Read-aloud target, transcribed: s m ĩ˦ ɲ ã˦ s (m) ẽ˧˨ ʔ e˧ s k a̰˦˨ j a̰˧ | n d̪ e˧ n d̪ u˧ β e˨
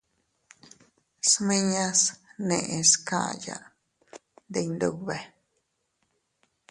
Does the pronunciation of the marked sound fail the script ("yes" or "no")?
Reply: yes